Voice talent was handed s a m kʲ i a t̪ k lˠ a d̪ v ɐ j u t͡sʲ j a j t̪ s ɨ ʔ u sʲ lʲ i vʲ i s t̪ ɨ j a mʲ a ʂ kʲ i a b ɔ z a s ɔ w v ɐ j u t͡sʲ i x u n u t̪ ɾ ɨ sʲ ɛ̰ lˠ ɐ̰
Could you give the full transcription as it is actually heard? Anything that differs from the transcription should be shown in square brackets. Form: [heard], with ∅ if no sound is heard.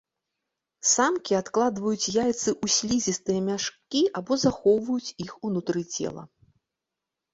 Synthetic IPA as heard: s a m kʲ i a t̪ k lˠ a d̪ v ɐ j u t͡sʲ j a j t̪ s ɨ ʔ u sʲ lʲ i [zʲ] i s t̪ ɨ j [ɐ] mʲ a ʂ kʲ i a b ɔ z a [x] ɔ w v ɐ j u t͡sʲ i x u n u t̪ ɾ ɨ [t͡sʲ] ɛ̰ lˠ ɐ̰